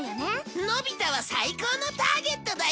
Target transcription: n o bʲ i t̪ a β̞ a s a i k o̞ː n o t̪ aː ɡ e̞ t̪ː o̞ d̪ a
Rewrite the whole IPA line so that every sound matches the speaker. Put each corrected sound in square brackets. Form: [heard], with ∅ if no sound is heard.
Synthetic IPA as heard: n o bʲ i t̪ a β̞ a s a i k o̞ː n o t̪ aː ɡ e̞ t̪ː o̞ d̪ a